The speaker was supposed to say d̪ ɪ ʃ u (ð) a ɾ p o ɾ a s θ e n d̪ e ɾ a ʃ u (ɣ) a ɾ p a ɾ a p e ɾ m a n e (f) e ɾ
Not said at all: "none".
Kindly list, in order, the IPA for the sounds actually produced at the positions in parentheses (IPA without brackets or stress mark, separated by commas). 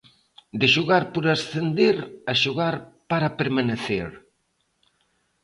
ɣ, ɣ, θ